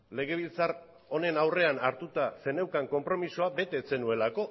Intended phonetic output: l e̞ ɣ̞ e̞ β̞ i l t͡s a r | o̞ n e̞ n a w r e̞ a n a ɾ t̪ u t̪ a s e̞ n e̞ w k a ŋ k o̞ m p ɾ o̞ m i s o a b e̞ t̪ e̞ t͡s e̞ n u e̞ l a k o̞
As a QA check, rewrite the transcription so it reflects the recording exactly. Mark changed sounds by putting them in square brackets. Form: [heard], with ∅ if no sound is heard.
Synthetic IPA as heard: l e̞ ɣ̞ e̞ β̞ i l t͡s a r | o̞ n e̞ n a w r e̞ a n a ɾ t̪ u t̪ a s e̞ n e̞ w k a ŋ k o̞ m p ɾ o̞ m i s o a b e̞ t̪ e̞ t͡s e̞ n u e̞ l a k o̞